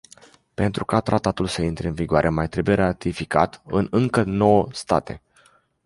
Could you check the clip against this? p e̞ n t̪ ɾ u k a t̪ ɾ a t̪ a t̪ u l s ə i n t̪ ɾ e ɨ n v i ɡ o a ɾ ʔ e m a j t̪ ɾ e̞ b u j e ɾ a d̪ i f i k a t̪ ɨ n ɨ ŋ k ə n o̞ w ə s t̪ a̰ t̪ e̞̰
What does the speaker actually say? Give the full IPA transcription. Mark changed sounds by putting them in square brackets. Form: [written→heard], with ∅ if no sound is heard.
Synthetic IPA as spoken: p e̞ n t̪ ɾ u k a t̪ ɾ a t̪ a t̪ u l s ə i n t̪ ɾ e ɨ n v i ɡ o a ɾ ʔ e m a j t̪ ɾ e̞ b u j e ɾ a [d̪→t̪] i f i k a t̪ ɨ n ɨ ŋ k ə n o̞ w ə s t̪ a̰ t̪ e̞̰